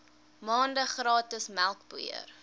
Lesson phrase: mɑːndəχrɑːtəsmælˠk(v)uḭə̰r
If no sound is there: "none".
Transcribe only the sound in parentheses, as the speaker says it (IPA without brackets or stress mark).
b